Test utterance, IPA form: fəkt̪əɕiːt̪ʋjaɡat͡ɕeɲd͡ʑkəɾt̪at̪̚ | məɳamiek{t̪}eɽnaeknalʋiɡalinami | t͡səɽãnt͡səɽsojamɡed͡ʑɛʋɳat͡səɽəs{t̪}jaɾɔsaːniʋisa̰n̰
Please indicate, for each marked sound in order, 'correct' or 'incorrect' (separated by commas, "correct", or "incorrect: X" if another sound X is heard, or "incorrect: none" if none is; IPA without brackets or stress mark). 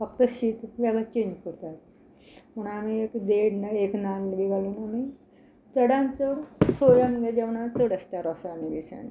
incorrect: d̪, correct